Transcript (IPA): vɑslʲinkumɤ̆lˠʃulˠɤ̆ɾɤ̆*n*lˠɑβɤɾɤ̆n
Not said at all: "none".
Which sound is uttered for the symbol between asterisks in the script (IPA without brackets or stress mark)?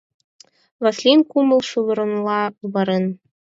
n